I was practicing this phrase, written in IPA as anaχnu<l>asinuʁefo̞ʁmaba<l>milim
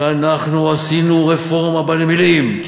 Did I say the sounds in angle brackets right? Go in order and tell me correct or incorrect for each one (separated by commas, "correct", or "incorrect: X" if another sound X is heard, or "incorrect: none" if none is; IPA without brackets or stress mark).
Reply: incorrect: none, correct